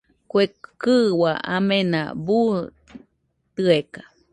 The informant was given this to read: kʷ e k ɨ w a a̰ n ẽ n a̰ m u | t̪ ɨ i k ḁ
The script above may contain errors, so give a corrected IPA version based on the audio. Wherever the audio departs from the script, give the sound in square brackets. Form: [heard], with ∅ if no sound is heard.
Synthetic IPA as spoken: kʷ e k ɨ w a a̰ [m] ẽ n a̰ [b] u | t̪ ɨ [e] k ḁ